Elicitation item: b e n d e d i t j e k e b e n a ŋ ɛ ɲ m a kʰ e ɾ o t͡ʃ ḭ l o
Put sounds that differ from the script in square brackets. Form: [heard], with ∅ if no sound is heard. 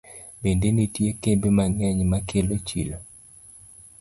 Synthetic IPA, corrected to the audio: b e n d e [n] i t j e k e b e [m] a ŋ ɛ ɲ m a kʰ e [l] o t͡ʃ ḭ l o